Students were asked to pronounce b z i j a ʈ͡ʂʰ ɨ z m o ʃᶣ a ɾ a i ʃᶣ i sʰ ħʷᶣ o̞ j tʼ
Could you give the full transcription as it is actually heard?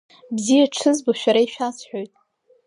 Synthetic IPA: b z i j a ʈ͡ʂʰ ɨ z b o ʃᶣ a ɾ a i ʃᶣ a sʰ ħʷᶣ o̞ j tʼ